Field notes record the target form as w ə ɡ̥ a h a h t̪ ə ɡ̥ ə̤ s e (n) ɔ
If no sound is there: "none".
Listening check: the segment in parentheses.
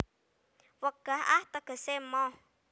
m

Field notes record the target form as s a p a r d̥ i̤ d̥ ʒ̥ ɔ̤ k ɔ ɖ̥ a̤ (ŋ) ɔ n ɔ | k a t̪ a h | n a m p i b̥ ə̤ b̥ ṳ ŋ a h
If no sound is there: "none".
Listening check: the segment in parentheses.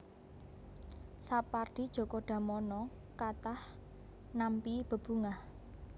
m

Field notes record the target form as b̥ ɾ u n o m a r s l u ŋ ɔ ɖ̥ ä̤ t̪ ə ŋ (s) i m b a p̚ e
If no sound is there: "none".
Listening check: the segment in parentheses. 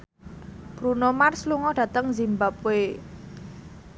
z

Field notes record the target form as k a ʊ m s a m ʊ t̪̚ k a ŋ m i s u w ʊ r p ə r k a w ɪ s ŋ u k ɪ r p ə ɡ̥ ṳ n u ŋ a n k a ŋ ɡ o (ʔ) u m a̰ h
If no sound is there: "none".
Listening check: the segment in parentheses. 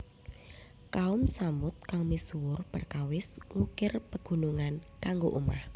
ʔ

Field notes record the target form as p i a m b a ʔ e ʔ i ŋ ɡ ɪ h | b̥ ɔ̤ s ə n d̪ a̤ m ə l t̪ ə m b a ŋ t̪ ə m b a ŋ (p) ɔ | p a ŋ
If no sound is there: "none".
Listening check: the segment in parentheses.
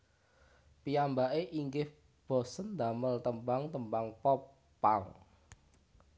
p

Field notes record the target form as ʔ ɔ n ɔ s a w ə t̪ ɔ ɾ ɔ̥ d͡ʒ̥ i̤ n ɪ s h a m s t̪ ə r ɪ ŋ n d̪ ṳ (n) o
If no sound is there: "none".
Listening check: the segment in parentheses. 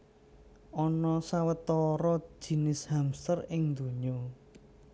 ɲ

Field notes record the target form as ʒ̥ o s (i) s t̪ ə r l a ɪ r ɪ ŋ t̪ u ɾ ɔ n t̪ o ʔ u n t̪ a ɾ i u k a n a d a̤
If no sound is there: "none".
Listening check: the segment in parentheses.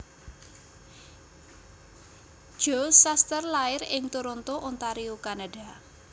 a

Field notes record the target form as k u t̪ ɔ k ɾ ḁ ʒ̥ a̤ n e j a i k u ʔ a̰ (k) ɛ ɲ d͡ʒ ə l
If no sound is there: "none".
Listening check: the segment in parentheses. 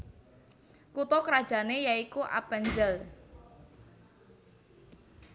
p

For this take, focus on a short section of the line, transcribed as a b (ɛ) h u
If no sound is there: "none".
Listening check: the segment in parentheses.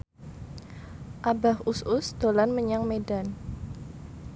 a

